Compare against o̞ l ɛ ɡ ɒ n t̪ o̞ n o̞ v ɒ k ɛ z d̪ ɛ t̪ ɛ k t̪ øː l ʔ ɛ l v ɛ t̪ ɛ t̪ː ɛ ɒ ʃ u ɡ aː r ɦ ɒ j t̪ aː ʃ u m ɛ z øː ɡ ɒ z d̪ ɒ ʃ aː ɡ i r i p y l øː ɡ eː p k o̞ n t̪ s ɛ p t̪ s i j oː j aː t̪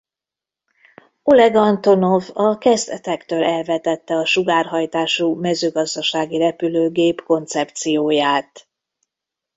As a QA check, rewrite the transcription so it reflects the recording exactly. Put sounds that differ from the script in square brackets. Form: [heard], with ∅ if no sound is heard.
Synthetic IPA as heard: o̞ l ɛ ɡ ɒ n t̪ o̞ n o̞ v ɒ k ɛ z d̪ ɛ t̪ ɛ k t̪ øː l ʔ ɛ l v ɛ t̪ ɛ t̪ː ɛ ɒ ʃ u ɡ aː r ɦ ɒ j t̪ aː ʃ u m ɛ z øː ɡ ɒ z d̪ ɒ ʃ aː ɡ i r [ɛ] p y l øː ɡ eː p k o̞ n t̪ s ɛ p t̪ s i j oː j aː t̪